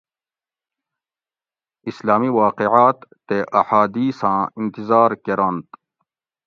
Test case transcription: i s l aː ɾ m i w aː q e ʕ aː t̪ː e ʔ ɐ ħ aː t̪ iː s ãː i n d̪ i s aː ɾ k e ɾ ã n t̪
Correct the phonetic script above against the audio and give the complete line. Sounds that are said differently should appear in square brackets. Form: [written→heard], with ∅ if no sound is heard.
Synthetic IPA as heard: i s l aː [ɾ→∅] m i w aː q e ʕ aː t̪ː e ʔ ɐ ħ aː [t̪→d̪] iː s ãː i n [d̪→t̪] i [s→z] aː ɾ k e ɾ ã n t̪